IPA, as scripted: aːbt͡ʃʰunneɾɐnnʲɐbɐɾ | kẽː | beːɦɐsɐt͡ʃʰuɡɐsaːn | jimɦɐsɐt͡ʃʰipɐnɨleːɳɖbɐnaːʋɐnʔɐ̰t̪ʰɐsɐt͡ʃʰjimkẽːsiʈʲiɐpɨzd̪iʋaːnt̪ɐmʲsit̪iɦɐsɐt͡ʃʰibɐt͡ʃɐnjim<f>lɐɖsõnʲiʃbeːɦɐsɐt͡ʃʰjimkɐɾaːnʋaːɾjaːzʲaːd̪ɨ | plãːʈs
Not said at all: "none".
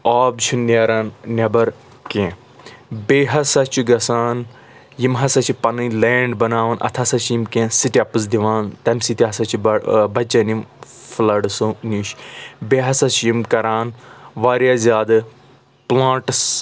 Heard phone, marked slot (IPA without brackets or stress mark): f